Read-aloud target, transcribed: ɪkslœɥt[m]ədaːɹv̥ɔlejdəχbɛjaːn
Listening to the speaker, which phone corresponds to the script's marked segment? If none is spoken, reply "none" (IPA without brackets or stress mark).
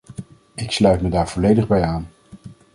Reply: m